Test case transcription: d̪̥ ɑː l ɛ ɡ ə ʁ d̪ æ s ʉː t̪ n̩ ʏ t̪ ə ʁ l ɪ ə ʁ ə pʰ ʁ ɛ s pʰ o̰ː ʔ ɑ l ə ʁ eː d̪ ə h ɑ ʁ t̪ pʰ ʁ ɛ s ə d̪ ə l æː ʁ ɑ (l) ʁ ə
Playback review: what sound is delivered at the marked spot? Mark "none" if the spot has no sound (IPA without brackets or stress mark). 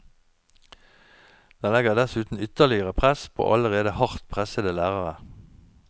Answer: none